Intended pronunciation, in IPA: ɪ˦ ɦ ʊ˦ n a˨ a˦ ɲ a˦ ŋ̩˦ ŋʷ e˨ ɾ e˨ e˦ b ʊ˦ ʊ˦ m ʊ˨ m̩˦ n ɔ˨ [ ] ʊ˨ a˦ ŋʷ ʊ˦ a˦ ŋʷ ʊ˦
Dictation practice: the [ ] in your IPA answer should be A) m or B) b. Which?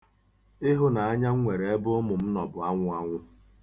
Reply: B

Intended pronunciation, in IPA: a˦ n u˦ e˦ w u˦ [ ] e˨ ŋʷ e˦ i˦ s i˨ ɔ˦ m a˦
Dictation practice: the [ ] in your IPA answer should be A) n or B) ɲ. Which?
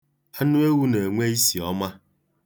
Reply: A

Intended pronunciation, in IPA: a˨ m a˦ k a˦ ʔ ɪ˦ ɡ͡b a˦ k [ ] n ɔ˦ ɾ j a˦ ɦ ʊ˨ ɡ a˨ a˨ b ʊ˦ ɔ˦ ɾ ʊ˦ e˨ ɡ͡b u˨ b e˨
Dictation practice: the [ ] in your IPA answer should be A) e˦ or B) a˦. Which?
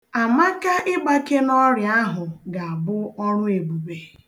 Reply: A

